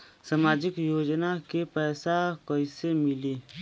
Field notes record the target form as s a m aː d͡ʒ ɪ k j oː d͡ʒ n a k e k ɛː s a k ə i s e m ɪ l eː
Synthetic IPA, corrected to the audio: s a m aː d͡ʒ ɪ k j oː d͡ʒ n a k e p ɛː s a k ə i s e m ɪ l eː